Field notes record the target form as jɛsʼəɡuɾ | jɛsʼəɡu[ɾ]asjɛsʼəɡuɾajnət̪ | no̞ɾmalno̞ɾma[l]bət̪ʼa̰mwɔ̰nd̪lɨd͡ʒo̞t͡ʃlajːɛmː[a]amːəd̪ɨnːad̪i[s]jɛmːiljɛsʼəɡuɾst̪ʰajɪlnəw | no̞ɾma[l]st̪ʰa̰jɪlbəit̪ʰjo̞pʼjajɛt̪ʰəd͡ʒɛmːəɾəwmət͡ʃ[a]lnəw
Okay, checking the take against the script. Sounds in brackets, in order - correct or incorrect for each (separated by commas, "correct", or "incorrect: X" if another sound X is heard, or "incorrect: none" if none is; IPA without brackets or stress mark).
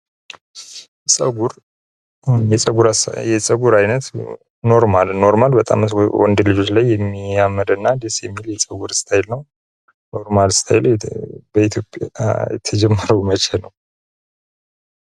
correct, correct, incorrect: i, correct, correct, incorrect: ɛ